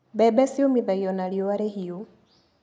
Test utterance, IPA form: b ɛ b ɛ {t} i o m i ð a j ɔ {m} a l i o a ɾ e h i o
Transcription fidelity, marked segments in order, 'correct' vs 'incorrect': incorrect, incorrect

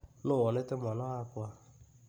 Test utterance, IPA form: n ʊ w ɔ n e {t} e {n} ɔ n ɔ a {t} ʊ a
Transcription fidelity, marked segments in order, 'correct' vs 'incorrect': correct, incorrect, incorrect

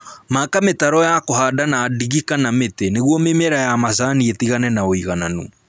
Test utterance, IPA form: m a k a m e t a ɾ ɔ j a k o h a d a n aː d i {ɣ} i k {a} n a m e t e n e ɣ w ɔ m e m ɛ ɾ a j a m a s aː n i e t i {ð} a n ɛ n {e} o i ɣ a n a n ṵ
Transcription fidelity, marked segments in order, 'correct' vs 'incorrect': correct, correct, incorrect, incorrect

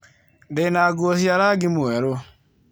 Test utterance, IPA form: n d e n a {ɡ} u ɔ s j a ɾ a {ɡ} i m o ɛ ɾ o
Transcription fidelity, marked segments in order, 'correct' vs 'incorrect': correct, correct

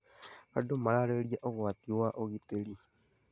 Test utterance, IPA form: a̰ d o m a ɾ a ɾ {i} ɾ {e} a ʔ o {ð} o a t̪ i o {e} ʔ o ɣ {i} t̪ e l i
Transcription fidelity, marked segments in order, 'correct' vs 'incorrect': incorrect, incorrect, incorrect, incorrect, correct

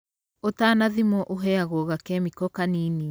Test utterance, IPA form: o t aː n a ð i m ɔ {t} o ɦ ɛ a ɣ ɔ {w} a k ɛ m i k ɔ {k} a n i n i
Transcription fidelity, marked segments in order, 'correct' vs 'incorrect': incorrect, incorrect, correct

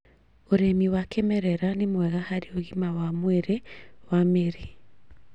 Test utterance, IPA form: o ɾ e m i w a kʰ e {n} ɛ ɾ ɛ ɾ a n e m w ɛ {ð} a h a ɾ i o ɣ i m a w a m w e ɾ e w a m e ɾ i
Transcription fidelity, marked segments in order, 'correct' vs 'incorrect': incorrect, incorrect

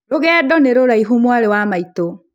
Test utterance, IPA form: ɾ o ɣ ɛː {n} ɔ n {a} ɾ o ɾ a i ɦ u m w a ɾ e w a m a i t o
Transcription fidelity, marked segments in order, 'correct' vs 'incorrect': incorrect, incorrect

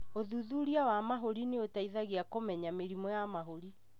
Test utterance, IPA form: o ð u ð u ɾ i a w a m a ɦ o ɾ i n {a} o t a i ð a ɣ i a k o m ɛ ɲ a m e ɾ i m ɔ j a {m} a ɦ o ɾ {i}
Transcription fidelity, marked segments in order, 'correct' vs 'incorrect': incorrect, correct, correct

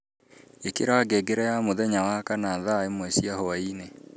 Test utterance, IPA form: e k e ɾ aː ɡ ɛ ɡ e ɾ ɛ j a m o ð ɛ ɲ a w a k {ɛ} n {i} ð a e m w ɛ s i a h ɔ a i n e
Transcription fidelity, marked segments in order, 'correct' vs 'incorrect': incorrect, incorrect

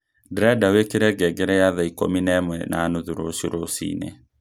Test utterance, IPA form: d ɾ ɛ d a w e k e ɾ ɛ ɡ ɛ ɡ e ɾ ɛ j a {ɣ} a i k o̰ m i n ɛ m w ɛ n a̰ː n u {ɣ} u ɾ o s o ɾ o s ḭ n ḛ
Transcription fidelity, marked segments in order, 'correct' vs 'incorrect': incorrect, incorrect

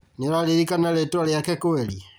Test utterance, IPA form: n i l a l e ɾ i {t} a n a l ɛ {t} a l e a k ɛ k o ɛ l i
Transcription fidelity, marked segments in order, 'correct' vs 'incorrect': incorrect, correct

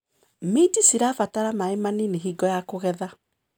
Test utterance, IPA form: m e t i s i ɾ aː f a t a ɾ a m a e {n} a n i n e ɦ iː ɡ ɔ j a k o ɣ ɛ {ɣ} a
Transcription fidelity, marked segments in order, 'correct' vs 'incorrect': incorrect, incorrect

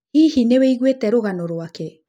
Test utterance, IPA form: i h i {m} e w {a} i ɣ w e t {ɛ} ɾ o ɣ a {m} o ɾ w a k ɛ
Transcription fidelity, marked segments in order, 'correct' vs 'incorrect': incorrect, incorrect, correct, incorrect

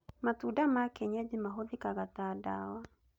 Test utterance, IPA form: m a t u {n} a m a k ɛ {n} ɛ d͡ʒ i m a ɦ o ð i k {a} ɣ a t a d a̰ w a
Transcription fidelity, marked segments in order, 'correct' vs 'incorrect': incorrect, incorrect, correct

